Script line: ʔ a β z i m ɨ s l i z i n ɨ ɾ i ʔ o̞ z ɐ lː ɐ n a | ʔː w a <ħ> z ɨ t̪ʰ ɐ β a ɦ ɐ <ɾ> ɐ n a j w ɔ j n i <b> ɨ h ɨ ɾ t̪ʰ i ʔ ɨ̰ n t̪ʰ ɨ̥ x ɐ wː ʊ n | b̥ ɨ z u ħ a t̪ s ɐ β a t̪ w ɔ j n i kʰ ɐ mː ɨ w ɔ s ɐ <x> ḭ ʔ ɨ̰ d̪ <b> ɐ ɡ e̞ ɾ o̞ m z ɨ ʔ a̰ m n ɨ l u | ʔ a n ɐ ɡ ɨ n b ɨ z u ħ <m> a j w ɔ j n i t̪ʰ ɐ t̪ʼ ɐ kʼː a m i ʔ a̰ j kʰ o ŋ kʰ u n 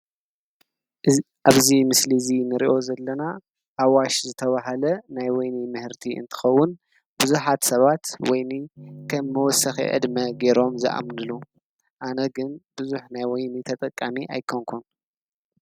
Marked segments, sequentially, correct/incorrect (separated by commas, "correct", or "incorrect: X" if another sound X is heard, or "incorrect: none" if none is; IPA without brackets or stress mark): incorrect: ʃ, incorrect: l, incorrect: m, correct, incorrect: m, incorrect: n